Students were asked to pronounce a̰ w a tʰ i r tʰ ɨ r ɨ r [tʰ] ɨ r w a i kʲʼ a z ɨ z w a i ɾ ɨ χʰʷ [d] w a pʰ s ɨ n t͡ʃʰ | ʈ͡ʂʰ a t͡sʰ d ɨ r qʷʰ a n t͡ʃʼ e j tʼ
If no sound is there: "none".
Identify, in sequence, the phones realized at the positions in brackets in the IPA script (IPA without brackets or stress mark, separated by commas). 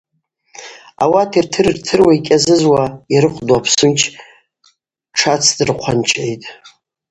tʰ, d